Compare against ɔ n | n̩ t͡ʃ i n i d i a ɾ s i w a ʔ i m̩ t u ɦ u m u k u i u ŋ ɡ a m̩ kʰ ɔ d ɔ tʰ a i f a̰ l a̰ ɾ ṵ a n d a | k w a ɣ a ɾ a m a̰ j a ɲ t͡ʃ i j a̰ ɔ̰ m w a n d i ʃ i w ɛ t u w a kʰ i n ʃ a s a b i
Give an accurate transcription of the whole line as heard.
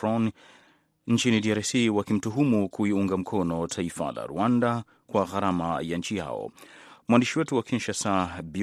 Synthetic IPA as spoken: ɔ n | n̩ t͡ʃ i n i d i a ɾ s i w a k i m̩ t u ɦ u m u k u i u ŋ ɡ a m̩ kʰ ɔ n ɔ tʰ a i f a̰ l a̰ ɾ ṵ a n d a | k w a ɣ a ɾ a m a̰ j a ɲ t͡ʃ i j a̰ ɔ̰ m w a n d i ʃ i w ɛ t u w a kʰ i n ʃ a s a b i